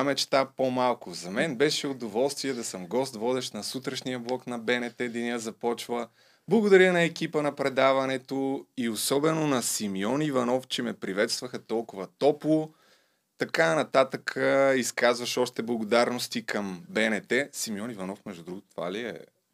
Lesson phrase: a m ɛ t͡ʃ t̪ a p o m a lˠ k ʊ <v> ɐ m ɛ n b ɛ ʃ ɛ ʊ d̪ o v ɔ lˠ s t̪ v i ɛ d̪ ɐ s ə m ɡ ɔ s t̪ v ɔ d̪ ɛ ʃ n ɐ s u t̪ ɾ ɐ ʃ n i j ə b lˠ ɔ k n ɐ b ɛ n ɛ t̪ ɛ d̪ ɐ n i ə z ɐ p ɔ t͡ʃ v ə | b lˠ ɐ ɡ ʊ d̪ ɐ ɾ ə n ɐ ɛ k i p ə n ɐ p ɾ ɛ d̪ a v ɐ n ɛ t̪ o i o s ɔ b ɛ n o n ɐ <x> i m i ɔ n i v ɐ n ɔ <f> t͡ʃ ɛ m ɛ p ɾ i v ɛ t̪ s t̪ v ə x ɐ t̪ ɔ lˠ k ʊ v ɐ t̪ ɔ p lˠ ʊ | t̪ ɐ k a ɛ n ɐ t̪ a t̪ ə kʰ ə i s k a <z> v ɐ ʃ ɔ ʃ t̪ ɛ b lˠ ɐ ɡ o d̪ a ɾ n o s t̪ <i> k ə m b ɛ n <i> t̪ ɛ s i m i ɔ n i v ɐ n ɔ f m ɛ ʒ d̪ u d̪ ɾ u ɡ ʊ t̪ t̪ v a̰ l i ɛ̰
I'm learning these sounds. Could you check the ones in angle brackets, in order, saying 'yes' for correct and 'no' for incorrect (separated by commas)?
no, no, yes, yes, yes, no